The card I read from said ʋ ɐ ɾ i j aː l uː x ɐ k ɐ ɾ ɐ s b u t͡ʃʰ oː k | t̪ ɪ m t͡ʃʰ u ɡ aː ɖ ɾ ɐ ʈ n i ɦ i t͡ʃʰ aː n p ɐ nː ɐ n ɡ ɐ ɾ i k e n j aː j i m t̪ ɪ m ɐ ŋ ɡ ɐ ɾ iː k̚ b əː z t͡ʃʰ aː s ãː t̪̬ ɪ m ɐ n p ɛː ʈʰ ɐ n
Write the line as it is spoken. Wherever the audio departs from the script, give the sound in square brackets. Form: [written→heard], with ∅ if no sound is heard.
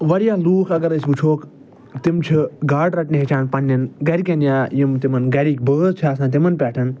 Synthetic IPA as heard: ʋ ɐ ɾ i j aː l uː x ɐ [k→ɡ] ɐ ɾ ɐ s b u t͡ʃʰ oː k | t̪ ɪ m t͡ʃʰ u ɡ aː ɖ ɾ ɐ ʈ n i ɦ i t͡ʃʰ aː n p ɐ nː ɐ n ɡ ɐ ɾ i k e n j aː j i m t̪ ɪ m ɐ [ŋ→n] ɡ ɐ ɾ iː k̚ b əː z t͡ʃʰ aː s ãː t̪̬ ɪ m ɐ n p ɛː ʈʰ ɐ n